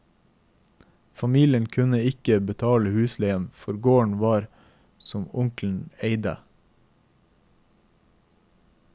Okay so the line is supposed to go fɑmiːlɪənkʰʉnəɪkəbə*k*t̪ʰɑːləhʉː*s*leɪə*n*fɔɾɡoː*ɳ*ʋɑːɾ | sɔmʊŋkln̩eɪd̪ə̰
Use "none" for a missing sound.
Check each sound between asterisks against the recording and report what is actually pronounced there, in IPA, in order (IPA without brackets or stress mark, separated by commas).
none, s, n, ɳ